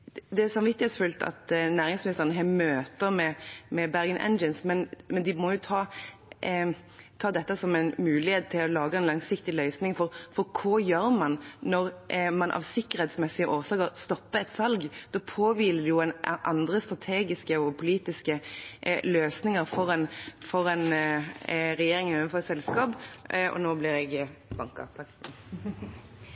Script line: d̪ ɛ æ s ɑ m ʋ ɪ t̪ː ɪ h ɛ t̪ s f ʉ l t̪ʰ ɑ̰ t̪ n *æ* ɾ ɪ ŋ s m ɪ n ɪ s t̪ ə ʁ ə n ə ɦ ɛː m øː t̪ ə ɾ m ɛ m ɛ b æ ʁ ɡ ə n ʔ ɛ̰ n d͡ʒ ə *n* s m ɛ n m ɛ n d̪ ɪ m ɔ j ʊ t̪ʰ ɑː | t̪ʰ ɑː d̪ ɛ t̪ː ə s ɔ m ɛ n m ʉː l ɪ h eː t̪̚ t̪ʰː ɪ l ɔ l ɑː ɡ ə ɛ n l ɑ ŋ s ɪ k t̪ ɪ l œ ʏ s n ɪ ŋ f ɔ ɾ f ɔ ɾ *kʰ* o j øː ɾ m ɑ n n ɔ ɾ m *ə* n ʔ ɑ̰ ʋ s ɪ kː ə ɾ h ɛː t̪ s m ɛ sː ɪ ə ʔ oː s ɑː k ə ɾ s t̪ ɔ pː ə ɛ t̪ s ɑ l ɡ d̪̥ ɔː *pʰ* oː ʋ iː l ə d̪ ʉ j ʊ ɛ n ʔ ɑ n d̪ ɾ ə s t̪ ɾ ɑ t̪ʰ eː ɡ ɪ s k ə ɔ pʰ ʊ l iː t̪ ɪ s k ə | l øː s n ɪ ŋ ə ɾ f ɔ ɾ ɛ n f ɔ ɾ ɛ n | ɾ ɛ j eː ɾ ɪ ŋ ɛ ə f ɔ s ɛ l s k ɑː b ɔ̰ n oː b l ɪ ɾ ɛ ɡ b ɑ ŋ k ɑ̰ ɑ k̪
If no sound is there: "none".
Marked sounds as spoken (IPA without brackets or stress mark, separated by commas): æː, n, kʰ, ɑ, pʰ